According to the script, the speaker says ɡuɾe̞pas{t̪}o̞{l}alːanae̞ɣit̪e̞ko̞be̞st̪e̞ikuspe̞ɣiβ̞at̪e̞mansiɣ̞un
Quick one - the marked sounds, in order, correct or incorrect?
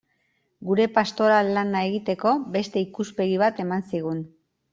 correct, incorrect: ɾ

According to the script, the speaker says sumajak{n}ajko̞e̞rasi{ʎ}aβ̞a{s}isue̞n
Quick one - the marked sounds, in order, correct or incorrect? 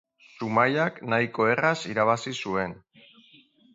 correct, incorrect: ɾ, correct

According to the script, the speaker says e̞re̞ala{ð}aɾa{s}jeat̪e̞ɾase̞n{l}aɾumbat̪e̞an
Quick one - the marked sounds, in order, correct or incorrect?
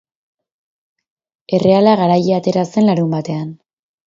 incorrect: ɣ, incorrect: none, correct

